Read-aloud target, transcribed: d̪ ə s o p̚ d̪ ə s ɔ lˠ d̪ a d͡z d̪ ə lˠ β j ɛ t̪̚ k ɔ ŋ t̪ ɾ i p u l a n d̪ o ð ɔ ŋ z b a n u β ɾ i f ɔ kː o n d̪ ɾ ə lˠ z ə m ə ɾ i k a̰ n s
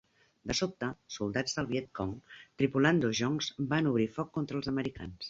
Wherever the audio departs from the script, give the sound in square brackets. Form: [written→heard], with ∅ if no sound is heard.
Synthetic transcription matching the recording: d̪ ə s o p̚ [d̪→t̪] ə s [ɔ→u] lˠ d̪ a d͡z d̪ ə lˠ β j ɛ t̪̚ k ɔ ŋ t̪ ɾ i p u l a n d̪ o [ð→ʒ] ɔ ŋ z b a n u β ɾ i f ɔ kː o n [d̪→t̪] ɾ ə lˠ z ə m ə ɾ i k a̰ n s